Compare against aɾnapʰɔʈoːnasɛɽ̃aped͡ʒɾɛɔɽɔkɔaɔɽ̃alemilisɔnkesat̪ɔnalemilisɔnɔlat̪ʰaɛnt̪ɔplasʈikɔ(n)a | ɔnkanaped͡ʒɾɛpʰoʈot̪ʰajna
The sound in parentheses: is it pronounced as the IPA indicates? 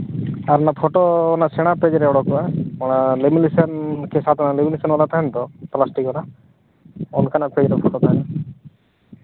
yes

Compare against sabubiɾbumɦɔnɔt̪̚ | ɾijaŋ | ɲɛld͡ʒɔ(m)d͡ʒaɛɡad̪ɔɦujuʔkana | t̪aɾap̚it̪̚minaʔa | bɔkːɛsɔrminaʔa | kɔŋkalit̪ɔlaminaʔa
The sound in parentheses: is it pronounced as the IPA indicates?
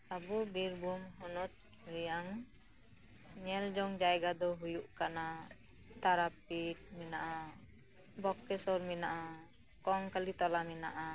no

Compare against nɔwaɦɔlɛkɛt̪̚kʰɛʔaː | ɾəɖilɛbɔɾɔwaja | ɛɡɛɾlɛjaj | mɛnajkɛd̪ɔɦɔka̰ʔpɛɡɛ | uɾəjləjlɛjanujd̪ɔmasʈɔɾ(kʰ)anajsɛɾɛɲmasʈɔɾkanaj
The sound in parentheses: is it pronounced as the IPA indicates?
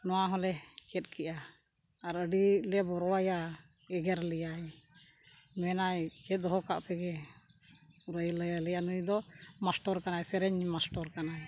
no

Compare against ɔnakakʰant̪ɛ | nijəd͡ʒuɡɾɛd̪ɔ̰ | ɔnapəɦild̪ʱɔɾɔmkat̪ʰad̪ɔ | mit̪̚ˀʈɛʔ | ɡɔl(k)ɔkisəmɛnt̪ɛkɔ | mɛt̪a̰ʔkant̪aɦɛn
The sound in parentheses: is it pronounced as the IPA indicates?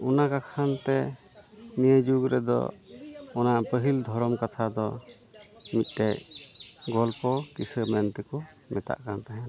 no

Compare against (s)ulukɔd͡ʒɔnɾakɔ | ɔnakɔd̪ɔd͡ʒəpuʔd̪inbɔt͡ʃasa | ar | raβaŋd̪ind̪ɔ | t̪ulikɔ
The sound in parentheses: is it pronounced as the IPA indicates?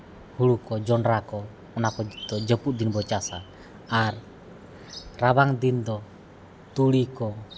no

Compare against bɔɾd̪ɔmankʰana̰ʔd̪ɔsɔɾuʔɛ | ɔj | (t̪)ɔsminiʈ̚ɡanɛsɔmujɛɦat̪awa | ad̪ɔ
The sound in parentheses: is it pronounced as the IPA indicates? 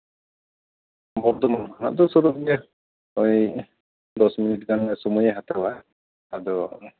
no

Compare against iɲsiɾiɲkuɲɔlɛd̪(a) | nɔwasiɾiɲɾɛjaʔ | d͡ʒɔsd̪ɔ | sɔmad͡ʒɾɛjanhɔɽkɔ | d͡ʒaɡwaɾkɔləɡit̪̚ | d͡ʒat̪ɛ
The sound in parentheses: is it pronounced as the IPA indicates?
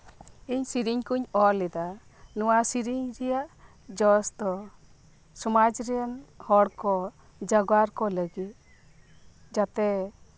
yes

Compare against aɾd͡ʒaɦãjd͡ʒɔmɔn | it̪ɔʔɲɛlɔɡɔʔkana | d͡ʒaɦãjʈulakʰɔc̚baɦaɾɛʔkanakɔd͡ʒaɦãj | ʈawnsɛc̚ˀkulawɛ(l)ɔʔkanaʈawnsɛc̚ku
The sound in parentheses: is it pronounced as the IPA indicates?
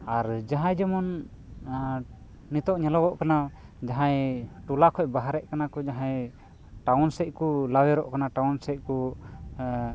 no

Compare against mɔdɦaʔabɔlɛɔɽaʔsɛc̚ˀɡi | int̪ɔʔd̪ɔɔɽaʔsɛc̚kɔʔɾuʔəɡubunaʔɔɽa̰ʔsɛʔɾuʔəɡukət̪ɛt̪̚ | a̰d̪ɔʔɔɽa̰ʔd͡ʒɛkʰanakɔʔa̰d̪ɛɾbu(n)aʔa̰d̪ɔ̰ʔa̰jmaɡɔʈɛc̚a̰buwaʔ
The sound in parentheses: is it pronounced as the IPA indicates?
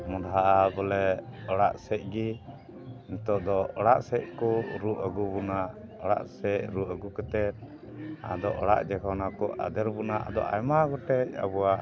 yes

